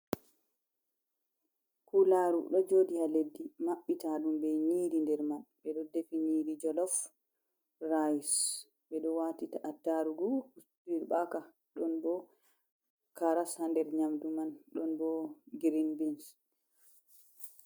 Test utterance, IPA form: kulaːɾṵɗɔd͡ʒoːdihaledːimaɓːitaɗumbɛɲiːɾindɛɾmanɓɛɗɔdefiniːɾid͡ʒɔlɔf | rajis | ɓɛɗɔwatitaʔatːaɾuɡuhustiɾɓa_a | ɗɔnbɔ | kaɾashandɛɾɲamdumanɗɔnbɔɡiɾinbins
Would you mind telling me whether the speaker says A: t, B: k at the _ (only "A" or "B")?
B